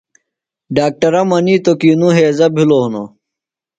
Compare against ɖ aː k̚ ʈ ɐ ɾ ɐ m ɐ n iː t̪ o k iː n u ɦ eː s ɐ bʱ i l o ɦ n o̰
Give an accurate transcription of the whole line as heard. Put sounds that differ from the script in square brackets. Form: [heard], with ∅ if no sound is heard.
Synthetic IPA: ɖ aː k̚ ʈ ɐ ɾ ɐ m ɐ n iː t̪ o k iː n u ɦ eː [z] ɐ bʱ i l o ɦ n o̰